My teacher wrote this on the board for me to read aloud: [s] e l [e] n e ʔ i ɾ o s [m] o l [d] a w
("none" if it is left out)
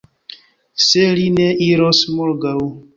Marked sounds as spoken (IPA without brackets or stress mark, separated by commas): s, i, m, ɡ